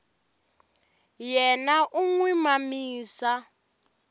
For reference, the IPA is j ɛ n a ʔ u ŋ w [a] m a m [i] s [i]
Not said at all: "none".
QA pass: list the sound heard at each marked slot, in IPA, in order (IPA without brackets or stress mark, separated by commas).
i, iː, a